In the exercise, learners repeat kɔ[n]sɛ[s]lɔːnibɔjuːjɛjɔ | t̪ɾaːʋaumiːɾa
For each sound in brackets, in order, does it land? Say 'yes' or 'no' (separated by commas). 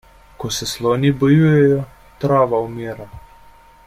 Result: no, yes